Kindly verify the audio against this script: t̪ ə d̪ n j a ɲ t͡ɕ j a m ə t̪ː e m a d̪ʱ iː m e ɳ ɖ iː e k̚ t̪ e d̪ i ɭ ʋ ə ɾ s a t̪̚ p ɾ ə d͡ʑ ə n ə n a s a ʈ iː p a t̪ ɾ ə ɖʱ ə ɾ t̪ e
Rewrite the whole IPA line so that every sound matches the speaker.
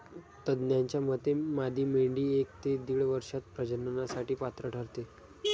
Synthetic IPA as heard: t̪ ə d̪ n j a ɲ t͡ɕ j a m ə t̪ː e m a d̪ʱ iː m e ɳ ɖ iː e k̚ t̪ e d̪ i ɭ ʋ ə ɾ ʂ a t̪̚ p ɾ ə d͡ʑ ə n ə n a s a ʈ iː p a t̪ ɾ ə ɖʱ ə ɾ t̪ e